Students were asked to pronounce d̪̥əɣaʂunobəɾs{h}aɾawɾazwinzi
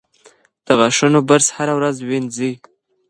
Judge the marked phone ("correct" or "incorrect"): correct